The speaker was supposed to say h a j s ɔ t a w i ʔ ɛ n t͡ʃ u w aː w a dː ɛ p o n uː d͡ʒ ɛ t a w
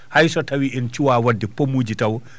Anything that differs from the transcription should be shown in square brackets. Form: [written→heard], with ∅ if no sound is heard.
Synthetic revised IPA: h a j s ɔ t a w i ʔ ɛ n t͡ʃ u w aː w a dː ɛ p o [n→m] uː d͡ʒ [ɛ→i] t a w